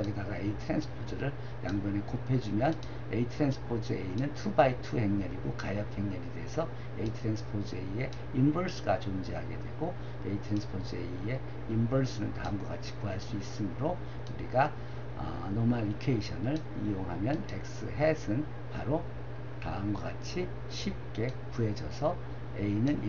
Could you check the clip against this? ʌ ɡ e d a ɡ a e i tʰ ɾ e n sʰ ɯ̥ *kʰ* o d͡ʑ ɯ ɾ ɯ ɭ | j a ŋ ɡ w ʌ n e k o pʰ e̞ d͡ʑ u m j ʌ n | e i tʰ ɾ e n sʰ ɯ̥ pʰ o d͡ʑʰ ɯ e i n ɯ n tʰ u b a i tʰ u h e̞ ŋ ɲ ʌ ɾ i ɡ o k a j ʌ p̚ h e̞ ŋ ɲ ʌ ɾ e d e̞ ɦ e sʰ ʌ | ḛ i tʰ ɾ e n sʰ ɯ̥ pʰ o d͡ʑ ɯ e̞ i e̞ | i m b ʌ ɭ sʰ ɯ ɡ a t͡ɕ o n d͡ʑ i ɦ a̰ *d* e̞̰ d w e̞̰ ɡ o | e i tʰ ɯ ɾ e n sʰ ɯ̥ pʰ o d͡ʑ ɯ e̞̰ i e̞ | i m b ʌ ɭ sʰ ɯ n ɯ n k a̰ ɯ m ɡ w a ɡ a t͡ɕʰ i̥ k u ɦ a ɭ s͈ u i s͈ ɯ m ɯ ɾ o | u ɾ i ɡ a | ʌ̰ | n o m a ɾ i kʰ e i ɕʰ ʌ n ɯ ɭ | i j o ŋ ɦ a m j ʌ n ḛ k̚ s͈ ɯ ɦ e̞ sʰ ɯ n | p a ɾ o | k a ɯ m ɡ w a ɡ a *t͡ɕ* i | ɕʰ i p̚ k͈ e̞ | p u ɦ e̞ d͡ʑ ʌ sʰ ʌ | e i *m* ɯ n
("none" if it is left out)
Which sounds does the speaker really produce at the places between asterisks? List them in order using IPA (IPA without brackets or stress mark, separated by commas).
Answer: pʰ, ɡ, t͡ɕʰ, n